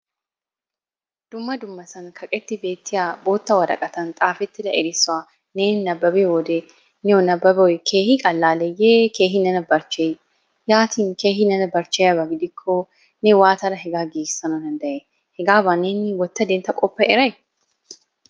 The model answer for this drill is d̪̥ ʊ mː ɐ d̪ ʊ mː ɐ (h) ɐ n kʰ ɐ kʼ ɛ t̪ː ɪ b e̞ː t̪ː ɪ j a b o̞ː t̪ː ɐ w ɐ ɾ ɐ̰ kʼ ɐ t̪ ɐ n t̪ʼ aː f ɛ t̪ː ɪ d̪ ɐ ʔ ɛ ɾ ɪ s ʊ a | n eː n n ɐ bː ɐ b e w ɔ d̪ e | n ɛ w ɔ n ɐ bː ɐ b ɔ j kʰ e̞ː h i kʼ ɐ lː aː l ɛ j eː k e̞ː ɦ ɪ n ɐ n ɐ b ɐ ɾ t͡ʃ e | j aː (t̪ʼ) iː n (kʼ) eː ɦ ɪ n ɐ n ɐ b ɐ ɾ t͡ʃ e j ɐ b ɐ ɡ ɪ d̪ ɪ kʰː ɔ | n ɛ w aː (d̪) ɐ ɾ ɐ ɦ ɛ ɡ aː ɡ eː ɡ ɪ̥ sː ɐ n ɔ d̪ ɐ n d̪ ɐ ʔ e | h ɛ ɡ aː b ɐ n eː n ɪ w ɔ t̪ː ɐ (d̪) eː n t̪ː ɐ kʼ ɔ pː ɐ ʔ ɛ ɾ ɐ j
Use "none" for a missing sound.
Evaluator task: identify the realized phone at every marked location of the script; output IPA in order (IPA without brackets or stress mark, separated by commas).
s, t̪, k, t̪, d̪